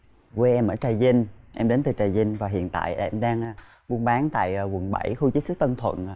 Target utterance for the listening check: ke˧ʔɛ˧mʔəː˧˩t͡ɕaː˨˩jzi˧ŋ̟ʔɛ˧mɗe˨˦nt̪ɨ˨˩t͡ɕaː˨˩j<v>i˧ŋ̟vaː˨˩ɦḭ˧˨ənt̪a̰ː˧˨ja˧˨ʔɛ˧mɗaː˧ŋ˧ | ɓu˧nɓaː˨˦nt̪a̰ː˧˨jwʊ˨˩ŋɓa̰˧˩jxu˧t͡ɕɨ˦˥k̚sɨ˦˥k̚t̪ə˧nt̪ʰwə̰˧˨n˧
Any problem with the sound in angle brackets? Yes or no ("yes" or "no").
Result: yes